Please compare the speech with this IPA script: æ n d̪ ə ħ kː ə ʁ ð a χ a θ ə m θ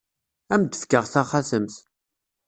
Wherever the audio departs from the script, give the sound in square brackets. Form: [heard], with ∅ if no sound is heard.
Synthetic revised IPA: æ [m] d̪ ə [f] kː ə ʁ [θ] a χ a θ ə m θ